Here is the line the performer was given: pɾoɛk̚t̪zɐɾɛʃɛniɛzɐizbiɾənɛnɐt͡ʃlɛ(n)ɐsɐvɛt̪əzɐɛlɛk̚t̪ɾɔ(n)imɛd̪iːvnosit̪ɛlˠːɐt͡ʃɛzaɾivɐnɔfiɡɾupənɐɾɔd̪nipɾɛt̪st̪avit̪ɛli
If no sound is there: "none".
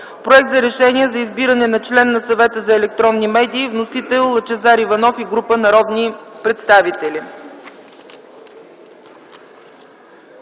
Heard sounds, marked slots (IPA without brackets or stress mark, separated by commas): nː, nː